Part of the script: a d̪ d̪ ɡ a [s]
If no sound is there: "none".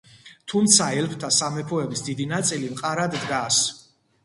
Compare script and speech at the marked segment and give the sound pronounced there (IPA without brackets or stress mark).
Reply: s